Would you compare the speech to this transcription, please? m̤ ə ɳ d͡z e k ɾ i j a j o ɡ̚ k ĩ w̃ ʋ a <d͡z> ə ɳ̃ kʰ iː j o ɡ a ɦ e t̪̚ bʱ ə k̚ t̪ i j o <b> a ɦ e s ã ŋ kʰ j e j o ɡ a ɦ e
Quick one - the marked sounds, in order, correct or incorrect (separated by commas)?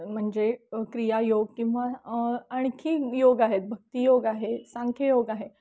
incorrect, incorrect